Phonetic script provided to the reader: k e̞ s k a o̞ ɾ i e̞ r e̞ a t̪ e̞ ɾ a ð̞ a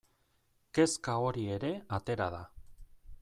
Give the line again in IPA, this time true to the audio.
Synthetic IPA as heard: k e̞ s k a o̞ ɾ i e̞ ɾ e̞ a t̪ e̞ ɾ a ð̞ a